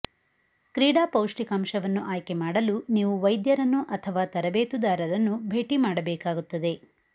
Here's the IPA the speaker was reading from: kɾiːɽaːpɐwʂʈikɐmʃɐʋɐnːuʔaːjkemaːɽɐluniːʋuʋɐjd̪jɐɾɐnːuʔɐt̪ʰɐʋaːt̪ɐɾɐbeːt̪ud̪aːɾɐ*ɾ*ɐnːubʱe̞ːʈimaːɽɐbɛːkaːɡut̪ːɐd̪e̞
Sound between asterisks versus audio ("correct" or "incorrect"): correct